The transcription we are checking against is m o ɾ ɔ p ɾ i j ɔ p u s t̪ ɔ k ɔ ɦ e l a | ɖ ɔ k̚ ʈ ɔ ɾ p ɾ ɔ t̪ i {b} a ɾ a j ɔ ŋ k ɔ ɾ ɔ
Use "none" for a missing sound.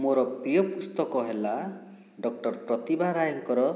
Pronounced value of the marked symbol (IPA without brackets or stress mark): b